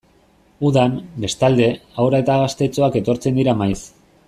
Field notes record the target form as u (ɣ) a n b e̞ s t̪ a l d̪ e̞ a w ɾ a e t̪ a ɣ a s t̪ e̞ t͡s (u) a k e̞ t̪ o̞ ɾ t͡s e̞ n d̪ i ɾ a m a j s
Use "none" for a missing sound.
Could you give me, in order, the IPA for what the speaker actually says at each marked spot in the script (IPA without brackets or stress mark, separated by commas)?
ð, o